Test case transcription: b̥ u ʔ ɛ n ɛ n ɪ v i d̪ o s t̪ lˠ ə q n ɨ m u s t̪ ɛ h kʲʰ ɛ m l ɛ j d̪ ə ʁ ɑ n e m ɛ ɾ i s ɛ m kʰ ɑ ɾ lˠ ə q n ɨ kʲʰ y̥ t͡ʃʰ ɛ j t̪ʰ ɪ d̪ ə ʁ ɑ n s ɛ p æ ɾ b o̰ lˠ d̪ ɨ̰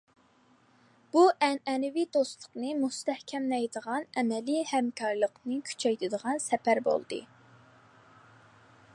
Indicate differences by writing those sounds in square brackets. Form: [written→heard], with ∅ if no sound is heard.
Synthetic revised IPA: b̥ u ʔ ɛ n ɛ n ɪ v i d̪ o s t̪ lˠ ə q n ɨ m u s t̪ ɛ h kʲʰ ɛ m l ɛ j d̪ ə ʁ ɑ n [e→ɛ] m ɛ [ɾ→l] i [s→h] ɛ m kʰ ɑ ɾ lˠ ə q n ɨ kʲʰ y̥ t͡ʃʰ ɛ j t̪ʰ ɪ d̪ ə ʁ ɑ n s ɛ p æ ɾ b o̰ lˠ d̪ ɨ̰